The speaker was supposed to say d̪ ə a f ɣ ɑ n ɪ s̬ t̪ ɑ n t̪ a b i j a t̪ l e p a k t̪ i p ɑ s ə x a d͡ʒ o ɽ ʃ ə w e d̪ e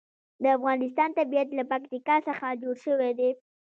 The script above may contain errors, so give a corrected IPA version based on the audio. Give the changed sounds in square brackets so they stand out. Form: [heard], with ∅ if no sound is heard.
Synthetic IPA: d̪ ə a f ɣ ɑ n ɪ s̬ t̪ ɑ n t̪ a b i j a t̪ l [a] p a k t̪ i [k] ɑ s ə x a d͡ʒ o ɽ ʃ ə w e d̪ e